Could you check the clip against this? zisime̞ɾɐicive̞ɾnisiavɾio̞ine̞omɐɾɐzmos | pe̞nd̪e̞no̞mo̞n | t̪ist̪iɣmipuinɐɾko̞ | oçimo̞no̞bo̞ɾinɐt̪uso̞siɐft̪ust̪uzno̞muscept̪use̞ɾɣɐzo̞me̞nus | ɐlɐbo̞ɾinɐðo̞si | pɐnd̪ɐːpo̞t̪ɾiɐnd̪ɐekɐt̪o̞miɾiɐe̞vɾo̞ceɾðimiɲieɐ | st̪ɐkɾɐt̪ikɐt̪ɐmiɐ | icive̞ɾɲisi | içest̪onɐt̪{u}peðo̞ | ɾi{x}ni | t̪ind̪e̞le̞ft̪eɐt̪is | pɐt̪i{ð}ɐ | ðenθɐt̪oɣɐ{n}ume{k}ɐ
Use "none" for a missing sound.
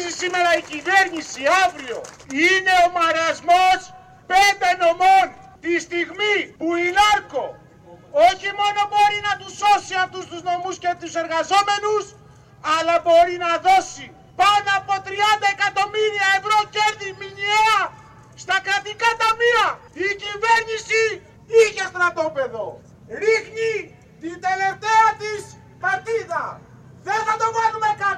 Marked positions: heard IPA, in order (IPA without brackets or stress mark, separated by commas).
o, x, ð, n, k